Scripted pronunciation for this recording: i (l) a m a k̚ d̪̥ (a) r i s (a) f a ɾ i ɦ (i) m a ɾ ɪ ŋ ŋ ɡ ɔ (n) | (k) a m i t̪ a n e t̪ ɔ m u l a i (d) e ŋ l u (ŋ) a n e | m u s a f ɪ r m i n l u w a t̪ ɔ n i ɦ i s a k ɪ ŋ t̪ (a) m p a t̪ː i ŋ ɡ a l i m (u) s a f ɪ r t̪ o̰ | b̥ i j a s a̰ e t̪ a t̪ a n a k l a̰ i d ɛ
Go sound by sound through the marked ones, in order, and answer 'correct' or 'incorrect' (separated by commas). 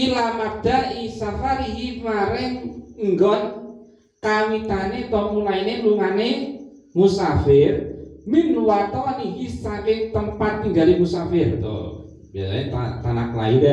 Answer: correct, correct, correct, correct, correct, correct, incorrect, correct, incorrect, correct